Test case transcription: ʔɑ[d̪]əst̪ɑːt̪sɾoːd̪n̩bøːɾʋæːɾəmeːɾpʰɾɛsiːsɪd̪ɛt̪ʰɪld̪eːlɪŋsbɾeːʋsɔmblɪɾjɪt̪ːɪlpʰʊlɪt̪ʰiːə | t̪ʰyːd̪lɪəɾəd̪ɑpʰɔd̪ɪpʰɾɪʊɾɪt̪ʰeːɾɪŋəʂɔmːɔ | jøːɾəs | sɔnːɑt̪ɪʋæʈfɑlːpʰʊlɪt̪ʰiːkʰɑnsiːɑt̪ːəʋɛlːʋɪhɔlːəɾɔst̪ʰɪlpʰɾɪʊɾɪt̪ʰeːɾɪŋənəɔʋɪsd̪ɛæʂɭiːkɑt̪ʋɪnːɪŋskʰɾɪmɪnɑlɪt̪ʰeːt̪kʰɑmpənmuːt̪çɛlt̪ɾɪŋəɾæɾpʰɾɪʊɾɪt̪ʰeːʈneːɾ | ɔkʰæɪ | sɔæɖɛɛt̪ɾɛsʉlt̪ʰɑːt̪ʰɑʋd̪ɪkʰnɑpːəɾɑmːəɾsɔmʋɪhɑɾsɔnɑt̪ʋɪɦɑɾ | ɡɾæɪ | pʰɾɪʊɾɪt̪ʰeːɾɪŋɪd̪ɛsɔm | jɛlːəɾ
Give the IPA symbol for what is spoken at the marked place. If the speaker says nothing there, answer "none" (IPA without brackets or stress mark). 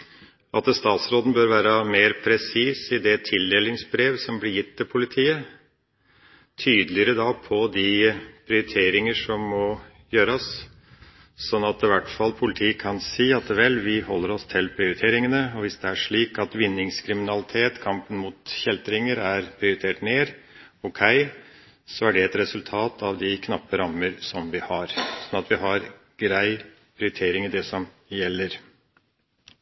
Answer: t̪